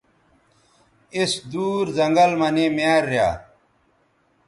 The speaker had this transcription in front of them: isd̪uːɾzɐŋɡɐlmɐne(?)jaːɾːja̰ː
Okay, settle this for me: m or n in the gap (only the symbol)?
m